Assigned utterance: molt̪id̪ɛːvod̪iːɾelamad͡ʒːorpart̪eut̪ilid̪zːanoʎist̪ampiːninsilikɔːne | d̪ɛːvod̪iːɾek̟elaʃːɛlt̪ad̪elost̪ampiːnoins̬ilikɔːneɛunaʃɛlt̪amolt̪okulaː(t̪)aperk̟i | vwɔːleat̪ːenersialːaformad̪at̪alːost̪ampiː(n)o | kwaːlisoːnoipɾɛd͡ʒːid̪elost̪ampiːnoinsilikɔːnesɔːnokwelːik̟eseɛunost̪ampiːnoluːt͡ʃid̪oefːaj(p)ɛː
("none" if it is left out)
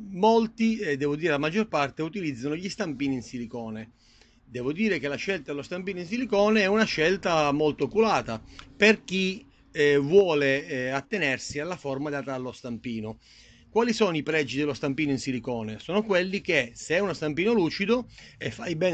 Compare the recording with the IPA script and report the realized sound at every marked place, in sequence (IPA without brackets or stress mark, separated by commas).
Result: t̪, n, b